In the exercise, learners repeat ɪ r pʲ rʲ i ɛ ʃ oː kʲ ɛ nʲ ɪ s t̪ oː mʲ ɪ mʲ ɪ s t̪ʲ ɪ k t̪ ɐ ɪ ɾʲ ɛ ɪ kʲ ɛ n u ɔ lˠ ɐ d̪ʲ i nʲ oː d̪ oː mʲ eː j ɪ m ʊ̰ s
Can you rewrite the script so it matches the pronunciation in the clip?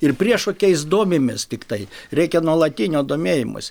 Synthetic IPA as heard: ɪ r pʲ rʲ i ɛ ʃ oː kʲ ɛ ɪ s d̪ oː mʲ ɪ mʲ ɪ s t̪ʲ ɪ k t̪ ɐ ɪ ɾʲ ɛ ɪ kʲ ɛ n u ɔ lˠ ɐ t̪ʲ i nʲ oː d̪ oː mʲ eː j ɪ m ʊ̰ s